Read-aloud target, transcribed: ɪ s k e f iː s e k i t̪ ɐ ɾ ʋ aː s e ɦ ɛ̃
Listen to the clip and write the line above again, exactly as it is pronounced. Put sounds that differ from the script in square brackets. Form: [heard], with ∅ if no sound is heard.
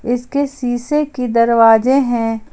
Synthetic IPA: ɪ s k e [s] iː s e k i [d̪] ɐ ɾ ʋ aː [z] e ɦ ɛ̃

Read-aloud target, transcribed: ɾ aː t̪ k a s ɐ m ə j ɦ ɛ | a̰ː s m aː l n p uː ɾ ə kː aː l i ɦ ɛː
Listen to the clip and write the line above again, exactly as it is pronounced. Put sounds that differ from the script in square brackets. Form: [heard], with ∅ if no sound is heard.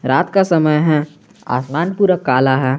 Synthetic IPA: ɾ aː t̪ k a s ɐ m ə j ɦ ɛ | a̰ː s m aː [∅] n p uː ɾ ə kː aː l [a] ɦ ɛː

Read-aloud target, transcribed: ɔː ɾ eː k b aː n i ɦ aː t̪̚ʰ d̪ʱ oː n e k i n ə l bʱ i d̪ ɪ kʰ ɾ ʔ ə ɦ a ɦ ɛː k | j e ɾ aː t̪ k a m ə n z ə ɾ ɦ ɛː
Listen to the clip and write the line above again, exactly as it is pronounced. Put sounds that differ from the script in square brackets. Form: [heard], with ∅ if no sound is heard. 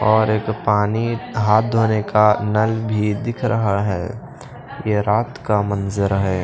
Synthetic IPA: ɔː ɾ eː k [p] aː n i ɦ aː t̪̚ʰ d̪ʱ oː n e k [a] n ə l bʱ i d̪ ɪ kʰ ɾ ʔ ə ɦ a ɦ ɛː [∅] | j e ɾ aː t̪ k a m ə n z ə ɾ ɦ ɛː

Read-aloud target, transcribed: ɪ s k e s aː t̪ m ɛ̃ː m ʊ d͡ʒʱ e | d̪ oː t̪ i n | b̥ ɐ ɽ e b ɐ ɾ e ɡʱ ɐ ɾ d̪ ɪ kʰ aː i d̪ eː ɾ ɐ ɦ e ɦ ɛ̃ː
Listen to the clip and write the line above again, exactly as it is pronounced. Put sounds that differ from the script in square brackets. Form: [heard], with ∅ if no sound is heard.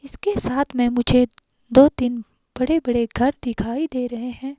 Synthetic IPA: ɪ s k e s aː [t̪ʰ] m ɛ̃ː m ʊ d͡ʒʱ e | d̪ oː t̪ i n | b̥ ɐ ɽ e b ɐ [ɽ] e ɡʱ ɐ ɾ d̪ ɪ kʰ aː i d̪ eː ɾ ɐ ɦ e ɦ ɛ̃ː

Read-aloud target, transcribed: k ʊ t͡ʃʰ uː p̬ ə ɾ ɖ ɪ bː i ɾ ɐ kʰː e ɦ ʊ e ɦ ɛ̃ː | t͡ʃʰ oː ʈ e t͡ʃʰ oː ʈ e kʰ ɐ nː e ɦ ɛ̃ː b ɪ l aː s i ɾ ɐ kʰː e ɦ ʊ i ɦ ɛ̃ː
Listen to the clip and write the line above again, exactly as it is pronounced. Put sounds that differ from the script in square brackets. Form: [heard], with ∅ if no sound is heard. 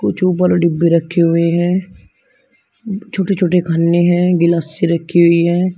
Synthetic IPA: k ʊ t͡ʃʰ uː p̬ ə ɾ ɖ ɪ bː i ɾ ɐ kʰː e ɦ ʊ e ɦ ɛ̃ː | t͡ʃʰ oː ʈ e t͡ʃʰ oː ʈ e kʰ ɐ nː e ɦ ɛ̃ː [ɡ] ɪ l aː s i ɾ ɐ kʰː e ɦ ʊ i ɦ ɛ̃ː

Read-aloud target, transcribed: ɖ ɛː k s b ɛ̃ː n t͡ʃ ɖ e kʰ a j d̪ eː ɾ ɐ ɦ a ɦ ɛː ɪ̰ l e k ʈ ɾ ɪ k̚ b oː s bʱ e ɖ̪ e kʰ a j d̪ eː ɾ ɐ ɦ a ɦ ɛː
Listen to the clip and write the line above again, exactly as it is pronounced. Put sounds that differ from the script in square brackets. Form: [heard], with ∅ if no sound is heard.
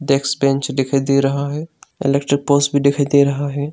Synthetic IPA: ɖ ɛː k s b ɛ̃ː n t͡ʃ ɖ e kʰ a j d̪ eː ɾ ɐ ɦ a ɦ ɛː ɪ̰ l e k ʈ ɾ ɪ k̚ [p] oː s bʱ [i] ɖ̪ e kʰ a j d̪ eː ɾ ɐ ɦ a ɦ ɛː

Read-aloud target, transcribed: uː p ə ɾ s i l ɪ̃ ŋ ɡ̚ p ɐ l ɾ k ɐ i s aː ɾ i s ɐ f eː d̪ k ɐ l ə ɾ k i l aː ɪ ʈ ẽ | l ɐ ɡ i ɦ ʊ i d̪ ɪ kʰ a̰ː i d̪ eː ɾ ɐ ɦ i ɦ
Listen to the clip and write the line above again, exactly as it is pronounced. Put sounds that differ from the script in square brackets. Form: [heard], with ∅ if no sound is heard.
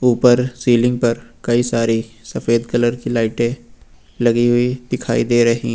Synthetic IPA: uː p ə ɾ s [iː] l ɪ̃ ŋ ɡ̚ p ɐ [∅] ɾ k ɐ i s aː ɾ i s ɐ f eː d̪ k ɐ l ə ɾ k i l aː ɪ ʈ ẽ | l ɐ ɡ i ɦ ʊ i d̪ ɪ kʰ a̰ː i d̪ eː ɾ ɐ ɦ i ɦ

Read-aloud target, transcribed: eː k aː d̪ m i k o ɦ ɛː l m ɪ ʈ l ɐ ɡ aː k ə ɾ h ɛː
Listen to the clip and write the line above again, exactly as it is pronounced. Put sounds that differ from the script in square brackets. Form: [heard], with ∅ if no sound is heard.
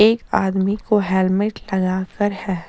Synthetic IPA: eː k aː d̪ m i k o ɦ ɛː l m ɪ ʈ l ɐ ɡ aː k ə ɾ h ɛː

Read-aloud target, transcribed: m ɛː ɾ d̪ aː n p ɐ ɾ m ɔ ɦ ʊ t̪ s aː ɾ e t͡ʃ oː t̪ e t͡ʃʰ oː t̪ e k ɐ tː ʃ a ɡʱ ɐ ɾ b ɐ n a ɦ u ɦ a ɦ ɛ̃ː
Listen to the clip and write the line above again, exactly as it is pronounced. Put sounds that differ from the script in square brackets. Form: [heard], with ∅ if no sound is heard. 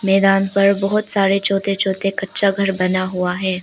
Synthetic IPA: m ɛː [∅] d̪ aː n p ɐ ɾ [b] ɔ ɦ ʊ t̪ s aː ɾ e t͡ʃ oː t̪ e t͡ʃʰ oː t̪ e k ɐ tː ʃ a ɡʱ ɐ ɾ b ɐ n a ɦ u [∅] a ɦ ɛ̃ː

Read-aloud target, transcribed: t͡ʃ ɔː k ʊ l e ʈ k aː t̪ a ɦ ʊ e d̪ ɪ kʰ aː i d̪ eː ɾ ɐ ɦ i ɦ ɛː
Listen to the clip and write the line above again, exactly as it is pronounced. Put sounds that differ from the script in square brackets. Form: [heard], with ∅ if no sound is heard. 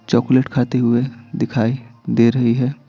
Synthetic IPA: t͡ʃ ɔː k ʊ l e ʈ [kʰ] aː t̪ [e] ɦ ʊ e d̪ ɪ kʰ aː i d̪ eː ɾ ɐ ɦ i ɦ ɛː

